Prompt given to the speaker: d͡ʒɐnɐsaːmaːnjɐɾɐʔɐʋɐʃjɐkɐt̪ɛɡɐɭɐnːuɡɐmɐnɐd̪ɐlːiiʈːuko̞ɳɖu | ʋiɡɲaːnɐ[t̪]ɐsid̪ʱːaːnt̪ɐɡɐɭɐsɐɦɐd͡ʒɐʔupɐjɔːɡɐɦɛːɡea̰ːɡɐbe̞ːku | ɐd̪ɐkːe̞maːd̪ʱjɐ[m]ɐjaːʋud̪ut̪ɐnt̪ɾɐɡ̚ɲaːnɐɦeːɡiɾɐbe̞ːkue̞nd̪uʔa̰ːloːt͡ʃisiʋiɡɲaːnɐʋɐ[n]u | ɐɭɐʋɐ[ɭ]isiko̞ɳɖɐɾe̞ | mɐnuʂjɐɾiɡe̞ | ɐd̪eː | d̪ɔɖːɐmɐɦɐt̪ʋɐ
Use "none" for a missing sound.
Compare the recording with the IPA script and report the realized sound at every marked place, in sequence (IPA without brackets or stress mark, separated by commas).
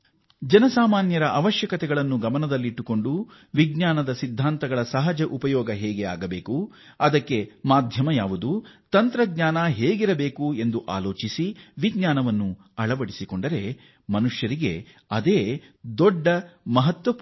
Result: d̪, m, nː, ɽ